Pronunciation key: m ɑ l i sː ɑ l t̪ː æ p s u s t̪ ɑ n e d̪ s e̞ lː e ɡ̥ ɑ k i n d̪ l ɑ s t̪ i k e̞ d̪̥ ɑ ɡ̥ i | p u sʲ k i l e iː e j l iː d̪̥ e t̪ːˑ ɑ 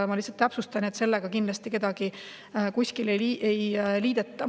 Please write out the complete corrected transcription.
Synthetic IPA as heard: m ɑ l i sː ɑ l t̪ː æ p s u s t̪ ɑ n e t̪ s e̞ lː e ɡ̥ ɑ k i n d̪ l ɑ s t̪ i k e̞ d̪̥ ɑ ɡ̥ i | k u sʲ k i l e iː e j l iː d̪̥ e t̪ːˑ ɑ